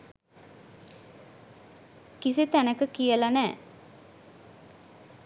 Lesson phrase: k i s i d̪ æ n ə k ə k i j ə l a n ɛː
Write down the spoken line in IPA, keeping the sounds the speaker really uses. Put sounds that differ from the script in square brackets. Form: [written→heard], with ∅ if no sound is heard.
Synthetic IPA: k i s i [d̪→t̪] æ n ə k ə k i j ə l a n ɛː

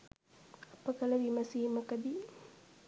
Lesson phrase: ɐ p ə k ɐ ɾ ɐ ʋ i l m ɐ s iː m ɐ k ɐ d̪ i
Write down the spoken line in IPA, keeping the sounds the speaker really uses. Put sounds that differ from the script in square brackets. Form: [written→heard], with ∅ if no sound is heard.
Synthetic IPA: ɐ p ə k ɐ [ɾ→l] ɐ ʋ i [l→∅] m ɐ s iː m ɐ k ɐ d̪ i

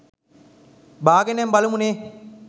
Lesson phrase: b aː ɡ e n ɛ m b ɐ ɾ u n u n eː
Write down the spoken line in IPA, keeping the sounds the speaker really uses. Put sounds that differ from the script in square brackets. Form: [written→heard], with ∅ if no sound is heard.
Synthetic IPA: b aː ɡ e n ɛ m b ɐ [ɾ→l] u [n→m] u n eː

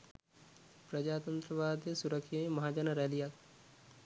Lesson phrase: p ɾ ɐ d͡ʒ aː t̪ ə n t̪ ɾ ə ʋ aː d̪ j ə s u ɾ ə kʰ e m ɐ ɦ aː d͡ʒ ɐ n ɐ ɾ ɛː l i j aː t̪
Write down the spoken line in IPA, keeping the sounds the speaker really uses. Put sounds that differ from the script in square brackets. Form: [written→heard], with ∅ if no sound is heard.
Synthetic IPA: p ɾ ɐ d͡ʒ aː t̪ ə n t̪ ɾ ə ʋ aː d̪ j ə s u ɾ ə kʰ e m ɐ ɦ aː d͡ʒ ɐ n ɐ ɾ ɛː l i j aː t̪

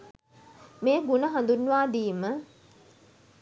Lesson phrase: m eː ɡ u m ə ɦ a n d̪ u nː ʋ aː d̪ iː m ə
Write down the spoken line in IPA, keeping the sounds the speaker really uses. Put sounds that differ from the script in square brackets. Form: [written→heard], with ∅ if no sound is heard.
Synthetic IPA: m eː ɡ u [m→n] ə ɦ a n d̪ u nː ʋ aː d̪ iː m ə

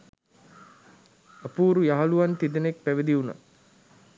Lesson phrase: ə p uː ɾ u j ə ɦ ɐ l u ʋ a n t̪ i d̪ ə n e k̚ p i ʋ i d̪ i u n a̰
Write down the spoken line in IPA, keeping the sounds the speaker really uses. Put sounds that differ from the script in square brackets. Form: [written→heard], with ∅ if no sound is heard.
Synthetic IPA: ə p uː ɾ u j [ə→a] ɦ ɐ l u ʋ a n t̪ i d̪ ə n e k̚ p [i→æ] ʋ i d̪ i u n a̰

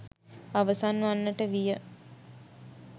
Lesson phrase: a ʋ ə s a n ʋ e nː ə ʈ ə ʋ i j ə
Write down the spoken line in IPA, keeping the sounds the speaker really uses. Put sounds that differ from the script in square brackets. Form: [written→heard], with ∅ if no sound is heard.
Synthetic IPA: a ʋ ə s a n ʋ [e→a] nː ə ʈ ə ʋ i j ə

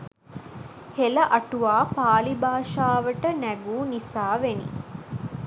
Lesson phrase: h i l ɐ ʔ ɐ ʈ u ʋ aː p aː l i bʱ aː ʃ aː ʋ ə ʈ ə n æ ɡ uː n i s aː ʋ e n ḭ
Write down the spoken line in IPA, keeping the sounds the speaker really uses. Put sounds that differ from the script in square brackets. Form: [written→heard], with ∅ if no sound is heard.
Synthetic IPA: h [i→e] l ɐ ʔ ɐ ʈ u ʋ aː p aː l i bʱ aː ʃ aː ʋ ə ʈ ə n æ ɡ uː n i s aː ʋ e n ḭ

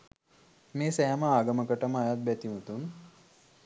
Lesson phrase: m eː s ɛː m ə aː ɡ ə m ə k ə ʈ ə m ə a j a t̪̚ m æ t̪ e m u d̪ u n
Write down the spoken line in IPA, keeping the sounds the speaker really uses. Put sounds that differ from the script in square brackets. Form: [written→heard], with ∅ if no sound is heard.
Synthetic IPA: m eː s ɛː m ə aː ɡ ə m ə k ə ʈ ə m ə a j a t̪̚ [m→b] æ t̪ [e→i] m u [d̪→t̪] u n

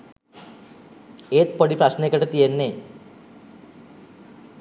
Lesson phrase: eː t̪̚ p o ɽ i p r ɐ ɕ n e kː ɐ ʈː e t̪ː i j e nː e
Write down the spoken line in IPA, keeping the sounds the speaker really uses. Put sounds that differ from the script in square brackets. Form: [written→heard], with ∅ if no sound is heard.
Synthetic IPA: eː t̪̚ p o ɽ i p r ɐ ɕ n e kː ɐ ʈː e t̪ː i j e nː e

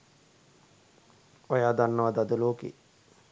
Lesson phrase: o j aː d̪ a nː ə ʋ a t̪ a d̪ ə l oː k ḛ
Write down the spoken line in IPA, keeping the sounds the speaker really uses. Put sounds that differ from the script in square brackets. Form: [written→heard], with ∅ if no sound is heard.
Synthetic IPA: o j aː d̪ a nː ə ʋ a [t̪→d̪] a d̪ ə l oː k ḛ

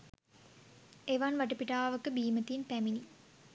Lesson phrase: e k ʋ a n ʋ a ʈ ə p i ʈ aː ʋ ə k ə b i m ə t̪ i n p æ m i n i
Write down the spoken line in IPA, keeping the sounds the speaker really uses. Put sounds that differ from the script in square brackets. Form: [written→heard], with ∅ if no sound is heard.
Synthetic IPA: e [k→∅] ʋ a n ʋ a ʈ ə p i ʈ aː ʋ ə k ə b [i→iː] m ə t̪ i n p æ m i n i

